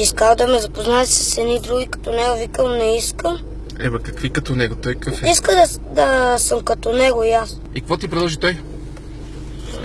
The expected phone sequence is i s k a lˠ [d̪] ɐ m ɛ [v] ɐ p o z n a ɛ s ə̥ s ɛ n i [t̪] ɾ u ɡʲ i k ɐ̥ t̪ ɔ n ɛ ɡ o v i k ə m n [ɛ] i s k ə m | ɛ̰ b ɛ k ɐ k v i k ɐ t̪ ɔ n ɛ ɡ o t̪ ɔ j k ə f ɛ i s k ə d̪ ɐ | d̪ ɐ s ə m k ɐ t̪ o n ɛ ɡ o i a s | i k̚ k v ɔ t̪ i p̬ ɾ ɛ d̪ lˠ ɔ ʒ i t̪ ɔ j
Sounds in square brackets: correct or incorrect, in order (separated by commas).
correct, incorrect, incorrect, correct